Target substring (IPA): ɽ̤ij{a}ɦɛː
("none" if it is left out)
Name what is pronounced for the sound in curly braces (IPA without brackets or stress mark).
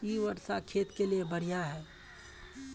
a